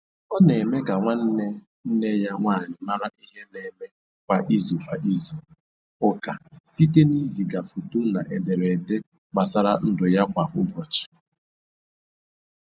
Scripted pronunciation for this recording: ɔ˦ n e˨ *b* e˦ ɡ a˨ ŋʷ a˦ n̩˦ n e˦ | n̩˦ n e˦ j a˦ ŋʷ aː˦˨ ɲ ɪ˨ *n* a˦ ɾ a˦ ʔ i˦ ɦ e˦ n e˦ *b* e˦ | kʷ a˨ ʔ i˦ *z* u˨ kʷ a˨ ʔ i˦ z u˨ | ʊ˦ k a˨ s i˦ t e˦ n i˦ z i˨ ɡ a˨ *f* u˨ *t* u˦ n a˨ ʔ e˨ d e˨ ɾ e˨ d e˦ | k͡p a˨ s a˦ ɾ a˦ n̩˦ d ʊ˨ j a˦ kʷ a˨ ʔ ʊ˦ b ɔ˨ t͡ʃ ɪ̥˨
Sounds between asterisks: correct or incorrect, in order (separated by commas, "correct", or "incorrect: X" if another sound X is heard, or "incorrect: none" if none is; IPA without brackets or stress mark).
incorrect: m, incorrect: m, incorrect: m, correct, correct, correct